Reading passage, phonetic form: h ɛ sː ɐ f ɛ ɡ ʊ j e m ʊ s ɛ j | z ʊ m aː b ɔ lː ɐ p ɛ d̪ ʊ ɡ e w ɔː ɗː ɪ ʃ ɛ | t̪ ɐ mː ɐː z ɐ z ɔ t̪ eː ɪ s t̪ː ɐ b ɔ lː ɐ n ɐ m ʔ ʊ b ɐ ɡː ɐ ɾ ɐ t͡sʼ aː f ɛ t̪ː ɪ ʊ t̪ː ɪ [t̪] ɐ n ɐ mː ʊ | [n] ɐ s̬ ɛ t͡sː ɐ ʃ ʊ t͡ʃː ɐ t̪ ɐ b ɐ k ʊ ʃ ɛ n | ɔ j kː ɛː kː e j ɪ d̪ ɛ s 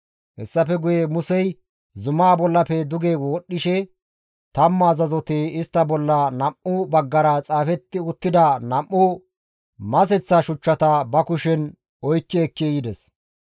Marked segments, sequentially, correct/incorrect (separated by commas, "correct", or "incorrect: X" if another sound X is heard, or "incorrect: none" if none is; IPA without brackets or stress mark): incorrect: d̪, incorrect: m